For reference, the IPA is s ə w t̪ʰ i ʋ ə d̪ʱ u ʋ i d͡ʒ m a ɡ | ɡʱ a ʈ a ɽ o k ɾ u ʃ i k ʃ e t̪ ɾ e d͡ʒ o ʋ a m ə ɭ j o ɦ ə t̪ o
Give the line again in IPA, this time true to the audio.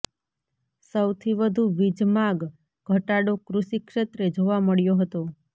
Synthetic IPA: s ə w t̪ʰ i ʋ ə d̪ʱ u ʋ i d͡ʒ m a ɡ | ɡʱ ə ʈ a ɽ o k ɾ u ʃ i k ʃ e t̪ ɾ e d͡ʒ o ʋ a m ə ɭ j o ɦ ə t̪ o